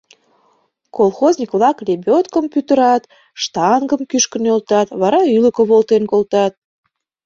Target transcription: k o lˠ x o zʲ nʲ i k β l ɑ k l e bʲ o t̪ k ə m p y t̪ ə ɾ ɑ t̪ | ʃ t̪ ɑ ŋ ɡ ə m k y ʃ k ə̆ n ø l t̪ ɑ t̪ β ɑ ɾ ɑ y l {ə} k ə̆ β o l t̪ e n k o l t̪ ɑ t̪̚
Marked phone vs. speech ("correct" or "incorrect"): correct